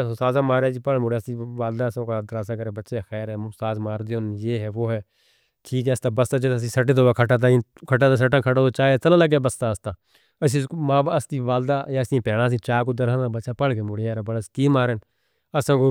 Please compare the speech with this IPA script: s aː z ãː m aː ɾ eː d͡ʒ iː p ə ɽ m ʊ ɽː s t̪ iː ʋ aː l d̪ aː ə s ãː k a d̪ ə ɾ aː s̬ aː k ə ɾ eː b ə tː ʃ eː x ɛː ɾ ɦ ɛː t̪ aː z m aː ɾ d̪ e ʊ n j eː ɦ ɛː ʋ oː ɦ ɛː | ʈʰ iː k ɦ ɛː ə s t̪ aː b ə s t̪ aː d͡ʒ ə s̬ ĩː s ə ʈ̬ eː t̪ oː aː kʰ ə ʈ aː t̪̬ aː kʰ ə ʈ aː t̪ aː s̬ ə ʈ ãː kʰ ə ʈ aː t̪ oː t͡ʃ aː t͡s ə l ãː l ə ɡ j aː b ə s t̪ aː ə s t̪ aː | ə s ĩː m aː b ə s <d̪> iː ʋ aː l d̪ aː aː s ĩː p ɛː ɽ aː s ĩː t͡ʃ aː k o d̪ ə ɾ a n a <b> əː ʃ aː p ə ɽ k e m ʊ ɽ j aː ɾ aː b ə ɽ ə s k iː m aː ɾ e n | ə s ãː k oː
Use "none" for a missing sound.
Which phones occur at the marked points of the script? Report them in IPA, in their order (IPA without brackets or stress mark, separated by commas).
t̪, b